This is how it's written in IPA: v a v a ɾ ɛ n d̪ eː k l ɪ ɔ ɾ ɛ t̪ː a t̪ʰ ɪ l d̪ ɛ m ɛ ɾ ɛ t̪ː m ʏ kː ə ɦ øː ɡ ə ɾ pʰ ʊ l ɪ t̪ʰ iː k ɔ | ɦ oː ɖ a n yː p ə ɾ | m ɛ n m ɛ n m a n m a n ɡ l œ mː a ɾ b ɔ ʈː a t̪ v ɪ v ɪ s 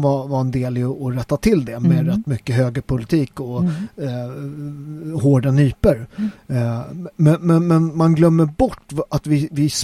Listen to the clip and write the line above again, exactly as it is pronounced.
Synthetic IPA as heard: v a v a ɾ ɛ n d̪ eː l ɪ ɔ ɾ ɛ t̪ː a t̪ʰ ɪ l d̪ ɛ m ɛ ɾ ɛ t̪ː m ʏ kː ə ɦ øː ɡ ə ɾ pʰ ʊ l ɪ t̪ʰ iː k ɔ | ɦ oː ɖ a n yː p ə ɾ | m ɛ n m ɛ n m ɛ n m a n ɡ l œ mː ə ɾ b ɔ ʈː a t̪ v ɪ v ɪ s